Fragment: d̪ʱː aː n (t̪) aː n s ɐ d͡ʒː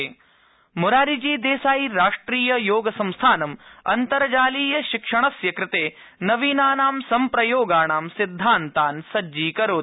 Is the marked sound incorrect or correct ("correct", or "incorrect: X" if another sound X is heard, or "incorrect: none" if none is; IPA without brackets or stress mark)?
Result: correct